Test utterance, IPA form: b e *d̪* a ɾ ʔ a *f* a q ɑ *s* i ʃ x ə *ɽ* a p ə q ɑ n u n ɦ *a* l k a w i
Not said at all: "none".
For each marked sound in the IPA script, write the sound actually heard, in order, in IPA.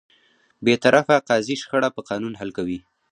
t̪, f, z, ɽ, a

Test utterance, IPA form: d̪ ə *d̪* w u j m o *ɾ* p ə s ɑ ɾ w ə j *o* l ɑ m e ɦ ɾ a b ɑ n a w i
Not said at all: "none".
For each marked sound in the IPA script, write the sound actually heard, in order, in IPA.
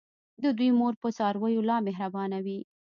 d̪, ɾ, o

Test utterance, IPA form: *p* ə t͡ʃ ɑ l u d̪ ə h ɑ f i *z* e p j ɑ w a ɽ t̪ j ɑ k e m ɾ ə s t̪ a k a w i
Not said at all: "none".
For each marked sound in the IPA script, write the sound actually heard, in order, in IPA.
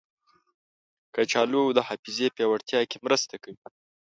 k, z

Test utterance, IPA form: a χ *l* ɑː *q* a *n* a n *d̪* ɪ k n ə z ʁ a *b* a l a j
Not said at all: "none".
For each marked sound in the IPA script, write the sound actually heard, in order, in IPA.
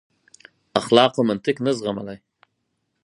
l, q, m, t̪, m

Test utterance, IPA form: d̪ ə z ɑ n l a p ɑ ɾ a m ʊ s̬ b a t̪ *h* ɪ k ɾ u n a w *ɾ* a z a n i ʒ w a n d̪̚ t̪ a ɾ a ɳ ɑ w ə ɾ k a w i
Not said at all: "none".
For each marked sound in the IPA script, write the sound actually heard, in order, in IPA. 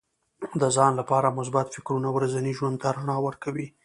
f, ɾ

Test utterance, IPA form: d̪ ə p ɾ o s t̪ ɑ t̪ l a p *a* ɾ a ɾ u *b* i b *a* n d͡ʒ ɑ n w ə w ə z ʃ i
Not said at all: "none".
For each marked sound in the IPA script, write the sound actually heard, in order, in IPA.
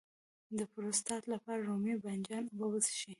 ɑ, m, a

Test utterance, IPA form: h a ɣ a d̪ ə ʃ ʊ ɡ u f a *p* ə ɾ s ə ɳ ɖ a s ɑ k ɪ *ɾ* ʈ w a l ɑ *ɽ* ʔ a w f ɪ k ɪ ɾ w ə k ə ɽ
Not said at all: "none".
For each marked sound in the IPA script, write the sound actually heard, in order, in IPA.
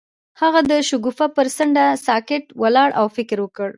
p, none, ɽ

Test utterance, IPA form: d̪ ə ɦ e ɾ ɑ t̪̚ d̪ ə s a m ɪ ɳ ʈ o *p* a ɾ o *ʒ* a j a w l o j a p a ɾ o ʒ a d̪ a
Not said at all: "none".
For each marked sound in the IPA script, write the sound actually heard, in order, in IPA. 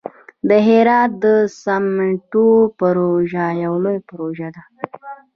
p, ʒ

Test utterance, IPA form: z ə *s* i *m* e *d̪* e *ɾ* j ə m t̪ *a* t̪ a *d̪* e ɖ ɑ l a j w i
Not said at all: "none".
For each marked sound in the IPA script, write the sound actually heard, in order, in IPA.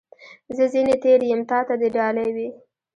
z, n, t̪, ɾ, ɑ, d̪

